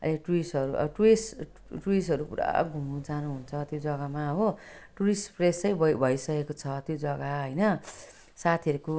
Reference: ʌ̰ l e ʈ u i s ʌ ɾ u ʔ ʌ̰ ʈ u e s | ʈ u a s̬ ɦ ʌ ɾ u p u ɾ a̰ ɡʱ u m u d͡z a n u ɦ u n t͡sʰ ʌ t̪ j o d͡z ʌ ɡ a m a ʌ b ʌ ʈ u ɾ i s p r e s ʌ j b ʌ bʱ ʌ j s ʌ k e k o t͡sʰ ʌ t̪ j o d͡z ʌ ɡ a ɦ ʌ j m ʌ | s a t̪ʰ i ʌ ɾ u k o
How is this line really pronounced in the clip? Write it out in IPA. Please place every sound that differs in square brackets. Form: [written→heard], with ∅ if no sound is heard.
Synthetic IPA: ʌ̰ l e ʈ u i s ʌ ɾ u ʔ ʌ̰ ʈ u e s | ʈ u [a→i] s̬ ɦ ʌ ɾ u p u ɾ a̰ ɡʱ u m u d͡z a n u ɦ u n t͡sʰ ʌ t̪ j o d͡z ʌ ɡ a m a ʌ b ʌ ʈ u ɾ i s p r e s ʌ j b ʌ bʱ ʌ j s ʌ k e k o t͡sʰ ʌ t̪ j o d͡z ʌ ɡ a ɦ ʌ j [m→n] ʌ | s a t̪ʰ i ʌ ɾ u k o